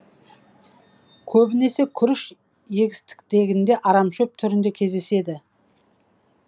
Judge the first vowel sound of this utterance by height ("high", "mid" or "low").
mid